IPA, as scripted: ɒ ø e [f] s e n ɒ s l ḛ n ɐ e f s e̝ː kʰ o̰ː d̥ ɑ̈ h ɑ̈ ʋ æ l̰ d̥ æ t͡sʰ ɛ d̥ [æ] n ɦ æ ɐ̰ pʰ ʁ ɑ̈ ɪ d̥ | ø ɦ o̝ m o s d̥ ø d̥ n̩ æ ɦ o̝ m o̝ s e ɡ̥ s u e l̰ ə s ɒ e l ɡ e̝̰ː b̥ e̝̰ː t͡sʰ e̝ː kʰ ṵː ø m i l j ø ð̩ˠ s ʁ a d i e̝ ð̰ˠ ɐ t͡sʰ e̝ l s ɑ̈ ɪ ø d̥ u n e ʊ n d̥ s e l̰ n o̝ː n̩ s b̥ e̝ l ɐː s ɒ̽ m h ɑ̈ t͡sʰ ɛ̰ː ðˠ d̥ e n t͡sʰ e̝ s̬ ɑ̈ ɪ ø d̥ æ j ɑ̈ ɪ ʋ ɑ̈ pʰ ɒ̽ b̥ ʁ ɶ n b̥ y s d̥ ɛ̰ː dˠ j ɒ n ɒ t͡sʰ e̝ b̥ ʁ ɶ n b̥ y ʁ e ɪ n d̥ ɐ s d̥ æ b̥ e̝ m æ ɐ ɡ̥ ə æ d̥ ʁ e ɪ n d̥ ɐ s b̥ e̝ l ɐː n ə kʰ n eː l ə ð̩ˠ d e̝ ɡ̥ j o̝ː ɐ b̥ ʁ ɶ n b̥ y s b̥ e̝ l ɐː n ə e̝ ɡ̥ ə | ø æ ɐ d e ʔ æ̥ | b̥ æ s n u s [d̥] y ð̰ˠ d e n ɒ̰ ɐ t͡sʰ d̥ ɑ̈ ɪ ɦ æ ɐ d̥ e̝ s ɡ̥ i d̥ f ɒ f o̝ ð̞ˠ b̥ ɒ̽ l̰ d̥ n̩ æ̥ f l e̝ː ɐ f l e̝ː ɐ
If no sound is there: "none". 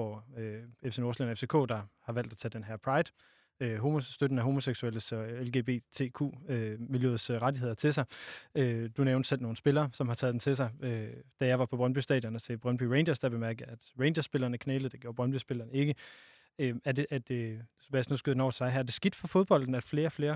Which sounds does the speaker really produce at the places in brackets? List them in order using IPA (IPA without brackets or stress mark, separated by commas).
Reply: f, e, ɡ̥